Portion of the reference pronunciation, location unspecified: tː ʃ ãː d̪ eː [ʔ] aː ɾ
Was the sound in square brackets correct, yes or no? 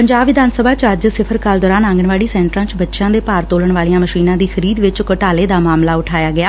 no